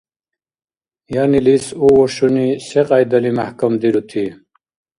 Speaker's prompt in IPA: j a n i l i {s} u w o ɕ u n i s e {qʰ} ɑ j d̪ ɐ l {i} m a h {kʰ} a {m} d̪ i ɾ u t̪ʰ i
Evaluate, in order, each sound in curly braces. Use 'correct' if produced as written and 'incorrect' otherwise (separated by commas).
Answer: correct, incorrect, correct, incorrect, correct